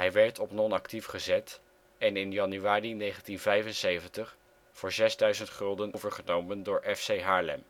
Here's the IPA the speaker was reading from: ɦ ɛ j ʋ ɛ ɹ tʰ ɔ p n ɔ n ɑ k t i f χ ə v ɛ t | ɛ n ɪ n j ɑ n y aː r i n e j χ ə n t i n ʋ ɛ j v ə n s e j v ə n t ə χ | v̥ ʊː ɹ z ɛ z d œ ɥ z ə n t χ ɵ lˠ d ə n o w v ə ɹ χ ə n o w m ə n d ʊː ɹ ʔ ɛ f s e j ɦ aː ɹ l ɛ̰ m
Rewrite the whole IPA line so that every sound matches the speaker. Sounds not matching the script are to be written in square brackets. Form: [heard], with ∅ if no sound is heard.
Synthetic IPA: ɦ ɛ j ʋ ɛ ɹ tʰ ɔ p n ɔ n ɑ k t i f χ ə [z] ɛ t | ɛ n ɪ n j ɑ n y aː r i n e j χ ə n t i n [v] ɛ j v ə n s e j v ə n t ə χ | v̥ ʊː ɹ z ɛ z d œ ɥ z ə n t χ ɵ lˠ d ə n o w v ə ɹ χ ə n o w m ə n d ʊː ɹ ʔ ɛ f s e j ɦ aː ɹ l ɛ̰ m